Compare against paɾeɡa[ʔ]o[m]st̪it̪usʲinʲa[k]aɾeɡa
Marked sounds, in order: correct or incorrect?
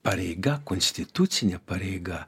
incorrect: k, incorrect: n, incorrect: p

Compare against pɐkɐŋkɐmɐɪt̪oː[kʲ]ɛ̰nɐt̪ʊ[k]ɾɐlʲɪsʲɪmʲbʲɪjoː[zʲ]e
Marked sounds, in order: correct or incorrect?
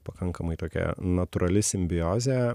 correct, incorrect: none, correct

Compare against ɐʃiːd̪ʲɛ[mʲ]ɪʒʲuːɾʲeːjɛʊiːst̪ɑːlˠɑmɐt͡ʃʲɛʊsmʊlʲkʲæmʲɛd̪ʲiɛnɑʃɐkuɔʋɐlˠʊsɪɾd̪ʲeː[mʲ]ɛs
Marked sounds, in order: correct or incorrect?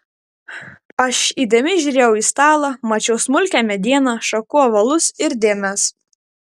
correct, correct

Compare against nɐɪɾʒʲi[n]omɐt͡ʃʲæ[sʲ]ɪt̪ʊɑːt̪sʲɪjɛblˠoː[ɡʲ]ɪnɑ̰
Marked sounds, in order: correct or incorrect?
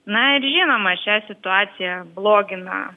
correct, correct, correct

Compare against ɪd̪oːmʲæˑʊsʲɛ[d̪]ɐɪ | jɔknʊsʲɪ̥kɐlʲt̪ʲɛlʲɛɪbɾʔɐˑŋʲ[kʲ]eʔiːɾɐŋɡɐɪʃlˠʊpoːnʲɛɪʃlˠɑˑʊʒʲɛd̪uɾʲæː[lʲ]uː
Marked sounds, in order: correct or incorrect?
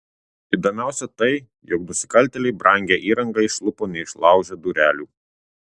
incorrect: t̪, incorrect: ɡʲ, correct

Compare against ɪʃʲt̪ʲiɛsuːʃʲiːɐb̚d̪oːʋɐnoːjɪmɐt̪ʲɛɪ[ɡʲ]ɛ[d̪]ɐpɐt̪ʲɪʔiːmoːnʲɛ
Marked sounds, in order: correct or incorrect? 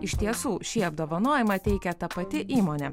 incorrect: kʲ, incorrect: t̪

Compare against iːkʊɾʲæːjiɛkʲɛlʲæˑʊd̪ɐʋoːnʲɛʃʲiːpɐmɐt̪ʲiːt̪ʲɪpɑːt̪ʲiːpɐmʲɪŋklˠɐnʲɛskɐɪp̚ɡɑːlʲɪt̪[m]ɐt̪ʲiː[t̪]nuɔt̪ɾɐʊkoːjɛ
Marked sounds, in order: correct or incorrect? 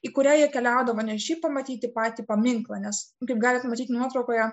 correct, correct

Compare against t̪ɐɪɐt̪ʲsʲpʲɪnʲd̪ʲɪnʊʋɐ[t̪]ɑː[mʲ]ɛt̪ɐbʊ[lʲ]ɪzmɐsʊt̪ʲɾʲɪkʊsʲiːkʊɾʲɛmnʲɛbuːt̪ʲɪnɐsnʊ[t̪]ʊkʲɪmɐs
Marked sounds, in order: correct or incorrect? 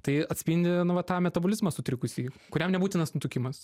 correct, correct, correct, correct

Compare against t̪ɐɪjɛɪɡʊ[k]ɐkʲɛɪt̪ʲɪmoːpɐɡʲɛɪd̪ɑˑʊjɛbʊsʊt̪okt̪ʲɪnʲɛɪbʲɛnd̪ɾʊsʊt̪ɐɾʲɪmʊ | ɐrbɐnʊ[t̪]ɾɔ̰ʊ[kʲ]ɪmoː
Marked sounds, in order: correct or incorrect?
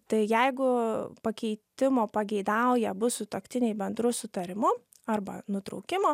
incorrect: p, correct, correct

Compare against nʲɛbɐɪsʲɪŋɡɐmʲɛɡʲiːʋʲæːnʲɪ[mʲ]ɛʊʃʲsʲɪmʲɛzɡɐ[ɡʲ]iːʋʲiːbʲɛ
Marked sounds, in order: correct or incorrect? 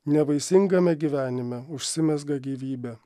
correct, correct

